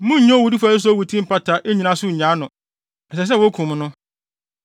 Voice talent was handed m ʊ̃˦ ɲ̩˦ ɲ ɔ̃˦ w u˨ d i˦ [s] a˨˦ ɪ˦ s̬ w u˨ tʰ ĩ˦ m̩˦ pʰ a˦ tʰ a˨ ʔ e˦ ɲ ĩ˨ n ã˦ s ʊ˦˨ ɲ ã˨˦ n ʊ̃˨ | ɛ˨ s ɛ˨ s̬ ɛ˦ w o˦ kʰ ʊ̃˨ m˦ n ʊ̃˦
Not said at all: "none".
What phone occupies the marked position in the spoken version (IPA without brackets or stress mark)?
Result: f